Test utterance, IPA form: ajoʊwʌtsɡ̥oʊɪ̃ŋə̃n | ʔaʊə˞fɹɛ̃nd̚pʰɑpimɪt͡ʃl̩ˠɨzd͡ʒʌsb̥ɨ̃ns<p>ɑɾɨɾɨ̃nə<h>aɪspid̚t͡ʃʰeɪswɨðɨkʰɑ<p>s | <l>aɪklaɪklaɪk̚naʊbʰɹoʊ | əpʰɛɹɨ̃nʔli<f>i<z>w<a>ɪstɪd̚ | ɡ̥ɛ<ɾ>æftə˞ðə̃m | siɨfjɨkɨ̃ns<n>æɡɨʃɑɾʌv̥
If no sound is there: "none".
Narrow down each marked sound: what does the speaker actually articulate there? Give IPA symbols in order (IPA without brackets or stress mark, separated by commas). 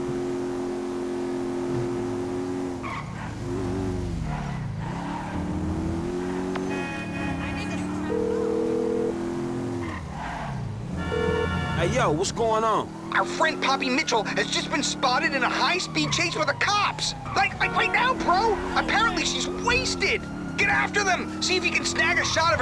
p, h, p, l, ʃ, z, e, ɾ, n